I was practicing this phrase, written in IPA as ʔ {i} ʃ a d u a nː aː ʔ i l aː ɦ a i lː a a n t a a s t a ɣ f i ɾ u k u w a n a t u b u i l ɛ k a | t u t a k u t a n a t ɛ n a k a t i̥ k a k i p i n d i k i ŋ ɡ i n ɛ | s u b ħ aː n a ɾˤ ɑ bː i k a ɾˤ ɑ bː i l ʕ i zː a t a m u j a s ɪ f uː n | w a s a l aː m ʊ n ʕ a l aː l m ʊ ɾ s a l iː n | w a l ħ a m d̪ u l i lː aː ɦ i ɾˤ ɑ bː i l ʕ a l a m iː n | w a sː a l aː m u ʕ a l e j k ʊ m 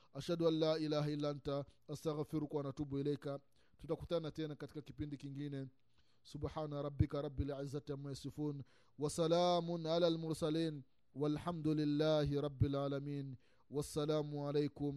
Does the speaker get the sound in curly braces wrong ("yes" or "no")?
yes